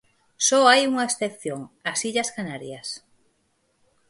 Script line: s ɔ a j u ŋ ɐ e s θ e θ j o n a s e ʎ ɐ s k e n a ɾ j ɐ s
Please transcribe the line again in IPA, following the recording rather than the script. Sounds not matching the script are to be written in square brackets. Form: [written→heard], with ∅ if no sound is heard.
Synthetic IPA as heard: s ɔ a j u ŋ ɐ e s θ e θ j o [n→ŋ] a s [e→i] ʎ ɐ s k [e→a] n a ɾ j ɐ s